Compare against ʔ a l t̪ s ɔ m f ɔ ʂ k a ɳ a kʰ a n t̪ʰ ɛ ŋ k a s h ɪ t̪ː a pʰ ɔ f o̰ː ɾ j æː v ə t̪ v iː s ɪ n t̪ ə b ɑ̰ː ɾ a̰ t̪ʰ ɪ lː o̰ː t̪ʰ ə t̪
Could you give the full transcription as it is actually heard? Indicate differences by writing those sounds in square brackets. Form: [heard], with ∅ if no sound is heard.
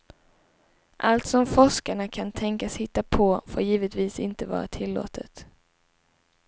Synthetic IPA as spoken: ʔ a l t̪ s ɔ m f ɔ ʂ k a ɳ a kʰ a n t̪ʰ ɛ ŋ k a s h ɪ t̪ː a pʰ ɔ f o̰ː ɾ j [iː] v ə t̪ v iː s ɪ n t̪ ə [v] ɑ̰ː ɾ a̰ t̪ʰ ɪ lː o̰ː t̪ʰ ə t̪

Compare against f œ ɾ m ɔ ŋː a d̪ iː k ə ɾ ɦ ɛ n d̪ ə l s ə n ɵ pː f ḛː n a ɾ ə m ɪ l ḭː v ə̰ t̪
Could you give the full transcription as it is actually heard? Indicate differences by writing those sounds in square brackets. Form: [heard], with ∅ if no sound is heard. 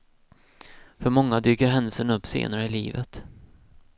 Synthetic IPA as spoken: f œ ɾ m ɔ ŋː a d̪ [yː] k ə ɾ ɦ ɛ n d̪ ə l s ə n ɵ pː [s] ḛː n a ɾ ə [∅] ɪ l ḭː v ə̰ t̪

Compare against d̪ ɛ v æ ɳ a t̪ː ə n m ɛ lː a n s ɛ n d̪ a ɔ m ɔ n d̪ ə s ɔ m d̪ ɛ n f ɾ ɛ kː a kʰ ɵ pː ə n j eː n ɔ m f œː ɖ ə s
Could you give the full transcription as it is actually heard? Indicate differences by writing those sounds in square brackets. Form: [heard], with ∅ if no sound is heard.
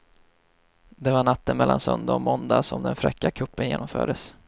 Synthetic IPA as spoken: d̪ ɛ v [a] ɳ a t̪ː ə n m ɛ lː a n s [œ] n d̪ a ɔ m ɔ n d̪ [a] s ɔ m d̪ ɛ n f ɾ ɛ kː a kʰ ɵ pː ə n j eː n ɔ m f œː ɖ ə s

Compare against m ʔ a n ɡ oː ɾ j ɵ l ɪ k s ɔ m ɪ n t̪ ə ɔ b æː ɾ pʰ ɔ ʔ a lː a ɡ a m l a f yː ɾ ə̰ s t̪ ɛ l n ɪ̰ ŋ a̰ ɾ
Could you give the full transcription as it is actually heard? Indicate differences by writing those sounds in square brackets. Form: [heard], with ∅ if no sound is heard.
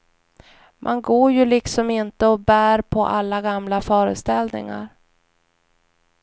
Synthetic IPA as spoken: m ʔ a n ɡ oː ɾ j ɵ l ɪ k s ɔ m ɪ n t̪ ə ɔ b æː ɾ pʰ ɔ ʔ a lː a ɡ a m l a f [œː] ɾ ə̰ s t̪ ɛ l n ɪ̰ ŋ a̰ ɾ

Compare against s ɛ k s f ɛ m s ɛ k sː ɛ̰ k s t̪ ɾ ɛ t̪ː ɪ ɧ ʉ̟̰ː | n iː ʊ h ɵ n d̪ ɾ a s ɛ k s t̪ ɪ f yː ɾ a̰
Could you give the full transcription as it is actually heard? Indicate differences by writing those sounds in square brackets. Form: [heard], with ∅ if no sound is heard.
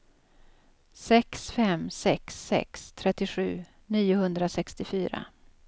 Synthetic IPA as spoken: s ɛ k s f ɛ m s ɛ k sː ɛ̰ k s [t̪ʰ] ɾ ɛ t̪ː ɪ ɧ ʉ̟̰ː | n iː ʊ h ɵ n d̪ ɾ a s ɛ k s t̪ ɪ f yː ɾ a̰

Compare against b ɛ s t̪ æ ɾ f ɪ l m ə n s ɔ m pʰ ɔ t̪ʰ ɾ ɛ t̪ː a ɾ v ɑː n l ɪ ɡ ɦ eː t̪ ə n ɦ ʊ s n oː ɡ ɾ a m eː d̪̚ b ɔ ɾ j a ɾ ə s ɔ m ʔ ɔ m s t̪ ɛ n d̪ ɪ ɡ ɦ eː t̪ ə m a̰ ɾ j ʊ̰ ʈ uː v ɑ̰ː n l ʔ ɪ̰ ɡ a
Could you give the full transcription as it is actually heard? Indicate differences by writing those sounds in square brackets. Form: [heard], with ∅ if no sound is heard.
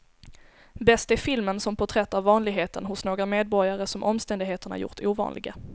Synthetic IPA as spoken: b ɛ s t̪ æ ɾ f ɪ l m ə n s ɔ m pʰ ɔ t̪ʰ ɾ ɛ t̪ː a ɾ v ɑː n l ɪ ɡ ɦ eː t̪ ə n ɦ ʊ s n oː ɡ ɾ a m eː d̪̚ b ɔ ɾ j a ɾ ə s ɔ m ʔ ɔ m s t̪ ɛ n d̪ ɪ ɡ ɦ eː t̪ ə [ɳ] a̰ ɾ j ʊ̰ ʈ uː v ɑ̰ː n l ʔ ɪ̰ ɡ a

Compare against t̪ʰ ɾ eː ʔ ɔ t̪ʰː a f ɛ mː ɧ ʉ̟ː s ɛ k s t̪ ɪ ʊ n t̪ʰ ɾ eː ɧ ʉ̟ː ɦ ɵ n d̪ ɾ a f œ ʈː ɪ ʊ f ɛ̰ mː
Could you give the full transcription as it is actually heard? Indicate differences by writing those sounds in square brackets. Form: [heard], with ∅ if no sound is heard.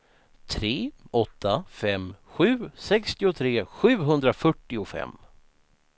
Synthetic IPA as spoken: t̪ʰ ɾ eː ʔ ɔ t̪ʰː a f ɛ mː ɧ ʉ̟ː s ɛ k s t̪ ɪ ʊ [∅] t̪ʰ ɾ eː ɧ ʉ̟ː ɦ ɵ n d̪ ɾ a f œ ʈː ɪ ʊ f ɛ̰ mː

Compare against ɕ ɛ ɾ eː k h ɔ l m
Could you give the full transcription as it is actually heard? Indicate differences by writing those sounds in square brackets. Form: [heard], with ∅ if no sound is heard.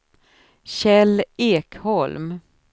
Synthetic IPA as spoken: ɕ ɛ [l] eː k h ɔ l m

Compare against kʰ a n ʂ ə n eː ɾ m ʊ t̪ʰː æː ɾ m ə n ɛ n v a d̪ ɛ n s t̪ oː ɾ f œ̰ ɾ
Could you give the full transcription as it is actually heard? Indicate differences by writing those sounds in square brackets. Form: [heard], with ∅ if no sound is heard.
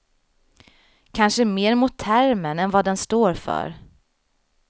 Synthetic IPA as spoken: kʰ a n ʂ ə [m] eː ɾ m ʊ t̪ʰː [æ] ɾ m ə n ɛ n v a d̪ ɛ n s t̪ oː ɾ f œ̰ ɾ

